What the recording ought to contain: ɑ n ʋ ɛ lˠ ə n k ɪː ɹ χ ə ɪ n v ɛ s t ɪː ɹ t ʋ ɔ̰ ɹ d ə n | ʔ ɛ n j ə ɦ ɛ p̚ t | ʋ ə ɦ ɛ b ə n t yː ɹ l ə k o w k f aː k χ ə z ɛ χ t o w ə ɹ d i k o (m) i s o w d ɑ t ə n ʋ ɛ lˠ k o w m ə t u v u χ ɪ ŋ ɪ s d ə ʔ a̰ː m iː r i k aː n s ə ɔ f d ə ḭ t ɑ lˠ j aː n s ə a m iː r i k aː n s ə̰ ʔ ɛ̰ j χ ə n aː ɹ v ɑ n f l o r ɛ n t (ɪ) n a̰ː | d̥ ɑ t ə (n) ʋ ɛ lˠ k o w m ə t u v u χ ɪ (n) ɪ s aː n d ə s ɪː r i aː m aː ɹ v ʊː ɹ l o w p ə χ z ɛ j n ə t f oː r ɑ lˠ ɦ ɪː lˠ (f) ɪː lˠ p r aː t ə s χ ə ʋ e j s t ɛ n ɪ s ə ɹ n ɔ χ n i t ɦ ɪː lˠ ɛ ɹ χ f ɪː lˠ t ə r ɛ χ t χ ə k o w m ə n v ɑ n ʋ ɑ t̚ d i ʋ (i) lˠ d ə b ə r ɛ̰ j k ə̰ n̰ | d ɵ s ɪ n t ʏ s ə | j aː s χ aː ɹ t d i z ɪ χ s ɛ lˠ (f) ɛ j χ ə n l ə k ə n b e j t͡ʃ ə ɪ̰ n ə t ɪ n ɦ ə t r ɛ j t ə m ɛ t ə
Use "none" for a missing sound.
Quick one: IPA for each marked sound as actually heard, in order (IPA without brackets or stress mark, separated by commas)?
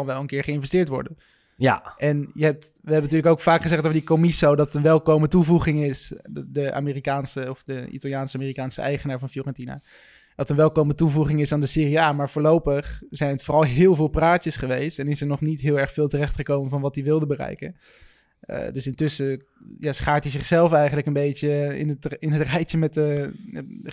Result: m, i, n, ŋ, v, ɪ, f